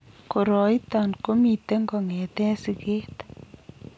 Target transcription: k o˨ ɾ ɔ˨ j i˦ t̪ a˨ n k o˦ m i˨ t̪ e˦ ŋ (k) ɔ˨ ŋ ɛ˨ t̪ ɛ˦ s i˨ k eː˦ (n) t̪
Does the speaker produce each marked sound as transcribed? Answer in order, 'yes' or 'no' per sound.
no, no

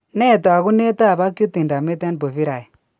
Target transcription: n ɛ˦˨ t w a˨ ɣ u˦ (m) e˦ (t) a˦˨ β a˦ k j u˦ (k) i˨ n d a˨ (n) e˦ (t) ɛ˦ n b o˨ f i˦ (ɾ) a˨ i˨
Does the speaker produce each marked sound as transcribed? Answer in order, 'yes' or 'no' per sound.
no, yes, no, no, yes, yes

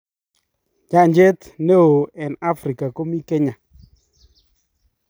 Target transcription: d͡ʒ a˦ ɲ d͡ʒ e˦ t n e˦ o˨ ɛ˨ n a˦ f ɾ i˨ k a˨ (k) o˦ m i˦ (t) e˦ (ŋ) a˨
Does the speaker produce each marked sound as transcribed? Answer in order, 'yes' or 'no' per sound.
yes, no, no

